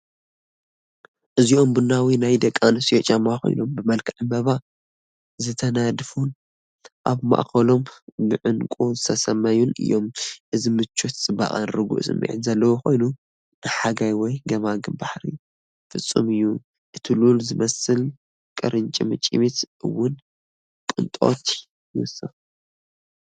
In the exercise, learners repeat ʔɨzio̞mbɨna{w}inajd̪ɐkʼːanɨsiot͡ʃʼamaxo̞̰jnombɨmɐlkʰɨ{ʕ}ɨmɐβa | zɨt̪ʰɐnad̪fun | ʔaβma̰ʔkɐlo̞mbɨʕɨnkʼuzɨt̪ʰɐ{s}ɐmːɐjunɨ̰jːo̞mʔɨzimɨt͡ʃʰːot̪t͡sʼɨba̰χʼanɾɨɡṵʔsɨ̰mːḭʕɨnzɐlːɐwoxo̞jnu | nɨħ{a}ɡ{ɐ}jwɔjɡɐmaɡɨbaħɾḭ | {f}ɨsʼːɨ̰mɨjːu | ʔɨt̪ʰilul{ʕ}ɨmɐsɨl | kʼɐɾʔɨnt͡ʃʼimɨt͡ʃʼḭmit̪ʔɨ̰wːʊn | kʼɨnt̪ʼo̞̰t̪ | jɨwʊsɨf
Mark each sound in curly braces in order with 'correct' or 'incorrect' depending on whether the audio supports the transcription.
correct, correct, correct, correct, incorrect: a, correct, incorrect: z

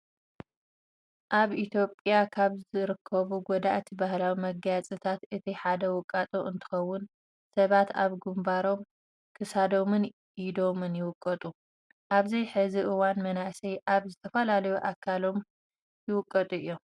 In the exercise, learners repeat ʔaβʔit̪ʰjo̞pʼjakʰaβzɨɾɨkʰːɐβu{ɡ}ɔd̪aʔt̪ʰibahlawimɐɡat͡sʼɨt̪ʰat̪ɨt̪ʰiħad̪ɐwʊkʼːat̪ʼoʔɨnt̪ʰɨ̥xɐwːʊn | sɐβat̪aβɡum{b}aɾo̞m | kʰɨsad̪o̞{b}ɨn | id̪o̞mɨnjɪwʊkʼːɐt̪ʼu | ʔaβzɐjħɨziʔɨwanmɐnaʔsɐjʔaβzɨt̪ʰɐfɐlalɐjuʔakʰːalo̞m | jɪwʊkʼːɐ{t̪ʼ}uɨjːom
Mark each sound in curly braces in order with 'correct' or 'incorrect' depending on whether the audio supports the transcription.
correct, correct, incorrect: m, correct

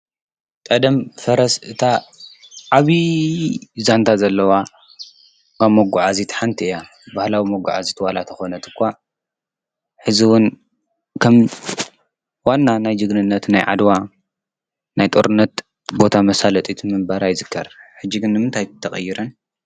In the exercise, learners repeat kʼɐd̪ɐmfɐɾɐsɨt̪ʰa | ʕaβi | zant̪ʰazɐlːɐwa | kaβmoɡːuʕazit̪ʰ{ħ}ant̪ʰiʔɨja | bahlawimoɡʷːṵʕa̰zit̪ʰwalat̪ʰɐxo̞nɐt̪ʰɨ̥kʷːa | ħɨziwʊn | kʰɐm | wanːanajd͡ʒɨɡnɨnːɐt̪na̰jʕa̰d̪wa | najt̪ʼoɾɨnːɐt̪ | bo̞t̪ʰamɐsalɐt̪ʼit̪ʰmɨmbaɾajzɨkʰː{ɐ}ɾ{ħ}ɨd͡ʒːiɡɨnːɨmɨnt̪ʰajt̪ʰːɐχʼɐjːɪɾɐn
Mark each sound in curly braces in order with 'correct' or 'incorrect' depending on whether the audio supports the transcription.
correct, correct, correct

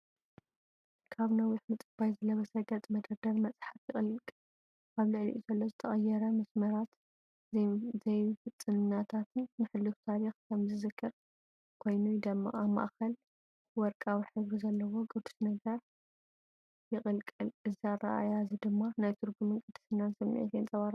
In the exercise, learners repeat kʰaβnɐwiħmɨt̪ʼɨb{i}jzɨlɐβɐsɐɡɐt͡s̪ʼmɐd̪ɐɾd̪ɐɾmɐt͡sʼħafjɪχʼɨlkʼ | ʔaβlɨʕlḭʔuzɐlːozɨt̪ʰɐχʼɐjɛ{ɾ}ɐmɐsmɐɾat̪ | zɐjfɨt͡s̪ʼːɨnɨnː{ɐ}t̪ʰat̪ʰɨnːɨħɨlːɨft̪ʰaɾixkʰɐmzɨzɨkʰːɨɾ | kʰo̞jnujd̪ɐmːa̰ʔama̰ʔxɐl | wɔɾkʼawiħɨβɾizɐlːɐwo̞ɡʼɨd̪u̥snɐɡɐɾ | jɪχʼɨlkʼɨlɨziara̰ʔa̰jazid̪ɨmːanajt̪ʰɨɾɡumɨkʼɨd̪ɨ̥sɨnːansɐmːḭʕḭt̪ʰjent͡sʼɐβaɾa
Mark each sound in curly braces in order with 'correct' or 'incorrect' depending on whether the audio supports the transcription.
incorrect: a, correct, incorrect: a

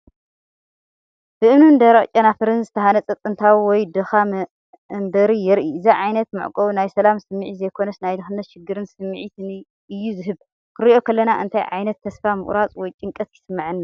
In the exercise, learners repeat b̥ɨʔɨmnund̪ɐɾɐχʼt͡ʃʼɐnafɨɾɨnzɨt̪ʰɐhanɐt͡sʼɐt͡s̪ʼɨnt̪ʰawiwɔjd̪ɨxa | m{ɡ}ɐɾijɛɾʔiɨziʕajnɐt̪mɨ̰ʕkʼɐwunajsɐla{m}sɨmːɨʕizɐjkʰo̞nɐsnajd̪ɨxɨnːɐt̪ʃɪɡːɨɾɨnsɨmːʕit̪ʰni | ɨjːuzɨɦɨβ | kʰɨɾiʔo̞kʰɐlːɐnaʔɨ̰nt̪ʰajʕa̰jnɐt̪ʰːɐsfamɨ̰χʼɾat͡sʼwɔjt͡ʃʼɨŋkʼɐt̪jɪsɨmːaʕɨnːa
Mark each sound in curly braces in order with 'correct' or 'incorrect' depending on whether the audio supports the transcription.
incorrect: b, correct

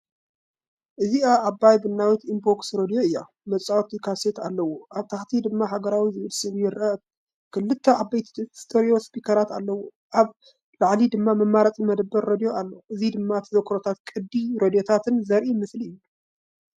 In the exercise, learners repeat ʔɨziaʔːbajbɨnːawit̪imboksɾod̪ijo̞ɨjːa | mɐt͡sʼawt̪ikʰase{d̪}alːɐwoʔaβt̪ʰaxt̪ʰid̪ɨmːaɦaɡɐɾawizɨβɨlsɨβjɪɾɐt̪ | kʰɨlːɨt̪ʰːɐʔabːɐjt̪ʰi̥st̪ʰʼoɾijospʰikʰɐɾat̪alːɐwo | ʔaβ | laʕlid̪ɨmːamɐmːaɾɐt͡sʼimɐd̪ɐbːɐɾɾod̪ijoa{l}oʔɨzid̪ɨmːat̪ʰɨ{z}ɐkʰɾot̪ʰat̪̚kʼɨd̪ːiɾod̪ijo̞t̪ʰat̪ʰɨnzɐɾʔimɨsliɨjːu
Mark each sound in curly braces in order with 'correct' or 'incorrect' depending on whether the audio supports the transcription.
incorrect: t̪, incorrect: lː, correct

